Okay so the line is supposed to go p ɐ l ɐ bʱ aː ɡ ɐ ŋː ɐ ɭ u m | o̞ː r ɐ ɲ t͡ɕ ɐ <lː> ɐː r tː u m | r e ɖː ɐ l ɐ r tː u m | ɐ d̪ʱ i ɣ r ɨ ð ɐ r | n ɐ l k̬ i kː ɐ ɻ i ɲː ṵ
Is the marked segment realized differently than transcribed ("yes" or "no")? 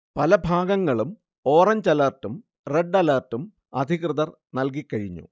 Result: yes